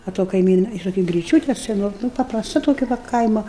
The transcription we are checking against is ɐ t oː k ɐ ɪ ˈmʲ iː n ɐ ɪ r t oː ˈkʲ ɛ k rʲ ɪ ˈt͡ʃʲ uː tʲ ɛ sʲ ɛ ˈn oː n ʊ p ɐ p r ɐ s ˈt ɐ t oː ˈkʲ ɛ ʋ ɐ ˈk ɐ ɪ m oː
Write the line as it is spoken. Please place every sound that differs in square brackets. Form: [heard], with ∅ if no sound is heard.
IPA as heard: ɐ t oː k ɐ ɪ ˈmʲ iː n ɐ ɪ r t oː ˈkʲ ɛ [ɡ] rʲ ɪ ˈt͡ʃʲ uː tʲ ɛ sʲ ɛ ˈn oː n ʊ p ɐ p r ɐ s ˈt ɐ t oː ˈkʲ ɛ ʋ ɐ ˈk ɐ ɪ m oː